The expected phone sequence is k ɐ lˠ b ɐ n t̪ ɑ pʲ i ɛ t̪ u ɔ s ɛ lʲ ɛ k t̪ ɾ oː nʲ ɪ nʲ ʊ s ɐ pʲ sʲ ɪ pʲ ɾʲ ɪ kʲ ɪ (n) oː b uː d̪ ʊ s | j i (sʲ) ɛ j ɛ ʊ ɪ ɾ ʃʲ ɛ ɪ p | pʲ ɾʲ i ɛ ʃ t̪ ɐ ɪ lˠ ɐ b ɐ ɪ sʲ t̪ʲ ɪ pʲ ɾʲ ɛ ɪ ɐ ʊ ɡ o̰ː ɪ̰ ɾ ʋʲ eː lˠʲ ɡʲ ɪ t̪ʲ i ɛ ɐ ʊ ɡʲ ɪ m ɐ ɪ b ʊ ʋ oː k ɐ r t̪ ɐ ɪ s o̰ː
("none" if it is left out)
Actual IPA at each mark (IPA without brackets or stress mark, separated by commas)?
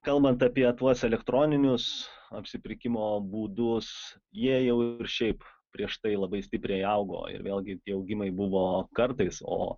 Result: m, none